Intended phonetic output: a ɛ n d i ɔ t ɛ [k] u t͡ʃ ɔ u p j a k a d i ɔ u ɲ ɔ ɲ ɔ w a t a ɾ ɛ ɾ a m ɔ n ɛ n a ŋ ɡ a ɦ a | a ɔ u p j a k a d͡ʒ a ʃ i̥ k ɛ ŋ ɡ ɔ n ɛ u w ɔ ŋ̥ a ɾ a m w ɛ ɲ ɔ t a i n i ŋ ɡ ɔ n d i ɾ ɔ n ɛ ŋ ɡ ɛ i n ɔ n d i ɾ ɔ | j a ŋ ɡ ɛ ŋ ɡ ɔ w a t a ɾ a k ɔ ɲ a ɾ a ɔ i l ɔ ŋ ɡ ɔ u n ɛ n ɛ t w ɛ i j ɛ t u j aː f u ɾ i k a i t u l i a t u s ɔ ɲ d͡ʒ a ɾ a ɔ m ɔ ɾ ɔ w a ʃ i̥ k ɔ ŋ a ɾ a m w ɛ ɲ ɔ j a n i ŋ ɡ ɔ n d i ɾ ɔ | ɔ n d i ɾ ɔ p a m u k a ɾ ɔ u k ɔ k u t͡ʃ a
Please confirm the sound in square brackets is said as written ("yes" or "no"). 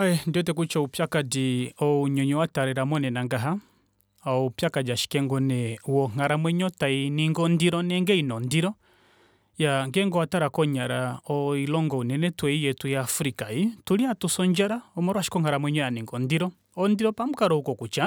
yes